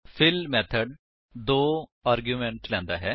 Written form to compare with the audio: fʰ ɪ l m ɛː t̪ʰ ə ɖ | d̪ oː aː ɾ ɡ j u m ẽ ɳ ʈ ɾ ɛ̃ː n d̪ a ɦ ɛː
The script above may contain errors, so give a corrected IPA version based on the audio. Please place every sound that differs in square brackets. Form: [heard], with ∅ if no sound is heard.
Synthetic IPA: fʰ ɪ l m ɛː t̪ʰ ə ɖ | d̪ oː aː ɾ ɡ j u m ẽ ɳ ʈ [l] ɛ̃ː n d̪ a ɦ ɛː